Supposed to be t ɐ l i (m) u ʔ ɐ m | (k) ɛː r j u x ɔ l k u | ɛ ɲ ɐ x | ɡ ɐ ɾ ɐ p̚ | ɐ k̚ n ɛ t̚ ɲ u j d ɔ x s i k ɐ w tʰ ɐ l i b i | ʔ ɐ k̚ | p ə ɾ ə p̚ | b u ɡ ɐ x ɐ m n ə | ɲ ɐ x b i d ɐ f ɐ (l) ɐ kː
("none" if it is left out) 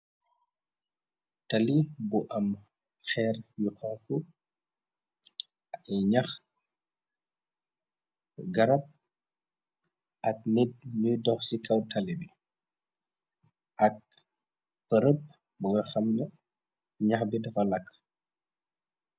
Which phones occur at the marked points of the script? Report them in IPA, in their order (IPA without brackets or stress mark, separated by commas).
b, x, l